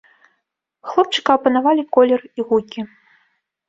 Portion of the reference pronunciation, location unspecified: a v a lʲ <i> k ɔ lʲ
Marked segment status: correct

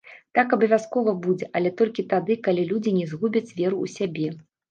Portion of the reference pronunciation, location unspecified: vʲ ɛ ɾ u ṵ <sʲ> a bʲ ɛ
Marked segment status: correct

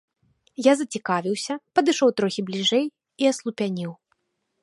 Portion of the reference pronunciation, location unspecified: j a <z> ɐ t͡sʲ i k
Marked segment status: correct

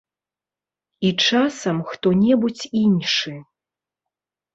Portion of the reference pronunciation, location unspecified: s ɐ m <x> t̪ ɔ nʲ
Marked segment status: correct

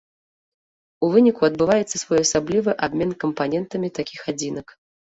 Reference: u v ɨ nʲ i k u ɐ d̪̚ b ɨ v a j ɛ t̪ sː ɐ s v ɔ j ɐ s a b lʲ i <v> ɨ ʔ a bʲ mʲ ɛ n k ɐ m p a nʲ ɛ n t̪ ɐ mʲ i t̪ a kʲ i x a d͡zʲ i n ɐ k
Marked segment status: correct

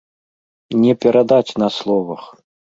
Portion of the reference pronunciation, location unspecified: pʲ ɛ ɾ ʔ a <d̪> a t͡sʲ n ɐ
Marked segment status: correct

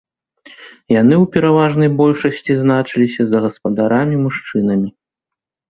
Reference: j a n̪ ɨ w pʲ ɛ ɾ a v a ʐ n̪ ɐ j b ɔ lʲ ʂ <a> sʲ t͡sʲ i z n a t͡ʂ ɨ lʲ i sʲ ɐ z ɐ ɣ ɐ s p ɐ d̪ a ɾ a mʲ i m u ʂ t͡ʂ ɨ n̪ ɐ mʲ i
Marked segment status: incorrect: ɐ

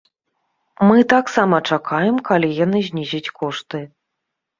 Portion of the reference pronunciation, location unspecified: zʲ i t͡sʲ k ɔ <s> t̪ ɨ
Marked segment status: incorrect: ʂ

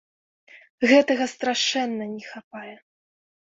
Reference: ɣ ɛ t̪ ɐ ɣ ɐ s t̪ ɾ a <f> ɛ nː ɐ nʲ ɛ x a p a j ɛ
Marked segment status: incorrect: ʂ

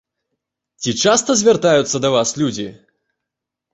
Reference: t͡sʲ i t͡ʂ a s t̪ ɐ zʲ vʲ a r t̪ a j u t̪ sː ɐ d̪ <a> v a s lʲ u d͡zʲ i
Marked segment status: incorrect: ɐ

